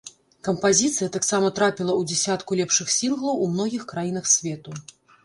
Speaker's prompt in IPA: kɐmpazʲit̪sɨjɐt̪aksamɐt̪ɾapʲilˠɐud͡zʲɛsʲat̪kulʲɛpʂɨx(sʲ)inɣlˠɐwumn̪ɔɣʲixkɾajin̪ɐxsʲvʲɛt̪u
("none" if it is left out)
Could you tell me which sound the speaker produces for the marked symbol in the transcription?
sʲ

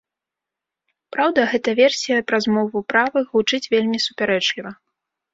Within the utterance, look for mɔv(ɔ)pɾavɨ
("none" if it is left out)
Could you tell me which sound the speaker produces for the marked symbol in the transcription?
u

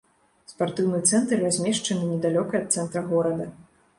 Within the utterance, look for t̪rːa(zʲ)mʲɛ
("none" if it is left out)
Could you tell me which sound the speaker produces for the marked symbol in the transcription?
zʲ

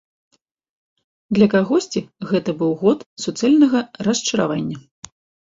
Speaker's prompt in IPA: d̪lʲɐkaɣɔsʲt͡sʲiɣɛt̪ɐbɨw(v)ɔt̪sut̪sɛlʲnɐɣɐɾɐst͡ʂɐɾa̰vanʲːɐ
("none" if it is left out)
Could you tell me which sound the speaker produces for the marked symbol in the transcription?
ɣ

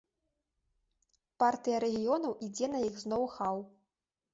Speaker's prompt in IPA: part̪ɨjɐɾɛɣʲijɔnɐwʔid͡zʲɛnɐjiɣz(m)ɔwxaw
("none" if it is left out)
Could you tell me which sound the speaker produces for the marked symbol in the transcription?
n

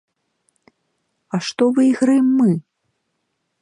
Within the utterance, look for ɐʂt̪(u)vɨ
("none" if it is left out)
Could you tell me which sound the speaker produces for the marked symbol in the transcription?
ɔ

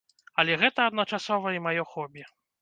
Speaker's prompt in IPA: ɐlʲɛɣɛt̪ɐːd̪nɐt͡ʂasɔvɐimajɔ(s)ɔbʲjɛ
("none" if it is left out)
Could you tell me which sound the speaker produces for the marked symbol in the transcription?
x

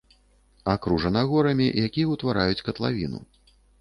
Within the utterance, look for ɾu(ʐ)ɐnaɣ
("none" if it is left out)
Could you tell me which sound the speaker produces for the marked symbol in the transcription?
ʐ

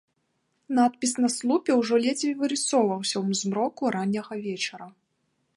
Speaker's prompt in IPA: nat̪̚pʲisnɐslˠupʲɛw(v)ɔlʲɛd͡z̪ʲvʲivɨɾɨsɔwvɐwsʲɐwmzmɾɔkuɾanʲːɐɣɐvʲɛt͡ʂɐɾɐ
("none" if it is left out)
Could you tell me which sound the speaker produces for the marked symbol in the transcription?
ʐ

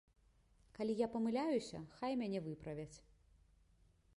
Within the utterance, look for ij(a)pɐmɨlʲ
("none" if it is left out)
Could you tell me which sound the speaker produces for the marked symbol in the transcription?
a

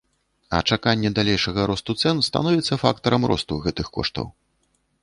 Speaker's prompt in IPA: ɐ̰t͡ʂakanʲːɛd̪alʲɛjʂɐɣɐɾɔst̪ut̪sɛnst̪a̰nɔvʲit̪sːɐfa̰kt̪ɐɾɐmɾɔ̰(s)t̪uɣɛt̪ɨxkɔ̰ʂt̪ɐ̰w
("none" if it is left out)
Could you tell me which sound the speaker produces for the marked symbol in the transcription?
s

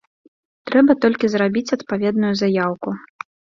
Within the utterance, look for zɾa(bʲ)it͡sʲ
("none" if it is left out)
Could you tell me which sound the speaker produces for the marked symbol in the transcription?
bʲ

